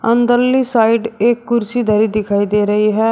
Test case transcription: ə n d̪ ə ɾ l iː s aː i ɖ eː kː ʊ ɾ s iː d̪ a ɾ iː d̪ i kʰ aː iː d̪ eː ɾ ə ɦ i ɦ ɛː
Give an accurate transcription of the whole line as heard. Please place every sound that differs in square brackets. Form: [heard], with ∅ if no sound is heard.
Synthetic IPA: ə n d̪ ə ɾ l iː s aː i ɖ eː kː ʊ ɾ s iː d̪ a ɾ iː d̪ [ɪ] kʰ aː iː d̪ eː ɾ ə ɦ i ɦ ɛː